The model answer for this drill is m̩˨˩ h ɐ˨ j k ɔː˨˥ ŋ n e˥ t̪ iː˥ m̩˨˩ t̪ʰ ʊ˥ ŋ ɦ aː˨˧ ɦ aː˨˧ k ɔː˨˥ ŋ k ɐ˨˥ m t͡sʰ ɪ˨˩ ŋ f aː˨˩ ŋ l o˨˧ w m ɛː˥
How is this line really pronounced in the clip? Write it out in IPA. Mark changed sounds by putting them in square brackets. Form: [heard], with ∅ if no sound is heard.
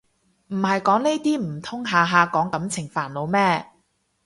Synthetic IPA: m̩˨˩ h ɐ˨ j k ɔː˨˥ ŋ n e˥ t̪ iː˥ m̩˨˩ t̪ʰ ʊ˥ ŋ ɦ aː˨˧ ɦ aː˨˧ k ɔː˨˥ ŋ k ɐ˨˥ m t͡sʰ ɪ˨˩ ŋ f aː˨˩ [n] l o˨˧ w m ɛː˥